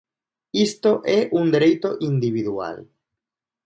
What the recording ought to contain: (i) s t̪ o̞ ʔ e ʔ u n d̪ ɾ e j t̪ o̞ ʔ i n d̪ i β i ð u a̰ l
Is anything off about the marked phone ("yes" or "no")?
no